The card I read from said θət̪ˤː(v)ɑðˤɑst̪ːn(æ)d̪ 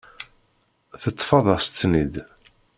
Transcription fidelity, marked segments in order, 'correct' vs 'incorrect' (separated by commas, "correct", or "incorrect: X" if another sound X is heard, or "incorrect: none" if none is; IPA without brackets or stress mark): incorrect: f, incorrect: i